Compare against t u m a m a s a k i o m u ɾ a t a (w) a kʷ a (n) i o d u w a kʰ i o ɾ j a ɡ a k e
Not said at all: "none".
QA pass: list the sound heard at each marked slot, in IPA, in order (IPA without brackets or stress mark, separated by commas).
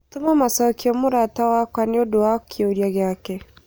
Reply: w, n